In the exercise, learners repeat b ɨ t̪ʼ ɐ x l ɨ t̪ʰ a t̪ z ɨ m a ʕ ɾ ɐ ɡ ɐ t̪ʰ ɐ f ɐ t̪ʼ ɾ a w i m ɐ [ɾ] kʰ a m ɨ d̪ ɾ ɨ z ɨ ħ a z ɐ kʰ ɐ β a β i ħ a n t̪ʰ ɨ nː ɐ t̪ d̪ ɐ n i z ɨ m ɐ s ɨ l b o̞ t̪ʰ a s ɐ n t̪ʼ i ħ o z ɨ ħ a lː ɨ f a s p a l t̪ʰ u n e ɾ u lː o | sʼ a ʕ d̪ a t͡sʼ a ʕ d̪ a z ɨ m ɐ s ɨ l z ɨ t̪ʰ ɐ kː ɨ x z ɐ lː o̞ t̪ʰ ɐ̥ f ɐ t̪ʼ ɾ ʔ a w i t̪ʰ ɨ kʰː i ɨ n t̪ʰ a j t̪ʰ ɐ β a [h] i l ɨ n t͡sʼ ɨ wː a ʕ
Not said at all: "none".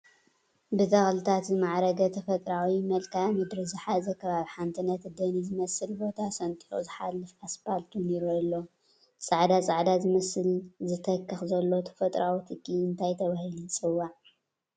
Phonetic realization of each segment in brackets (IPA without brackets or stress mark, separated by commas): l, h